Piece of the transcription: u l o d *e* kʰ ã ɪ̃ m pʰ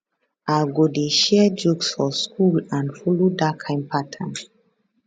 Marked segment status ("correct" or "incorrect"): incorrect